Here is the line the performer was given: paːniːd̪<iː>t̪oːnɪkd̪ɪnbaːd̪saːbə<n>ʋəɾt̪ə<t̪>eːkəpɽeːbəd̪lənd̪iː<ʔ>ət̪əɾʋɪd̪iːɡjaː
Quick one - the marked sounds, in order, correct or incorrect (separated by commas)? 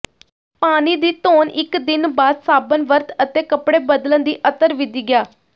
correct, correct, correct, correct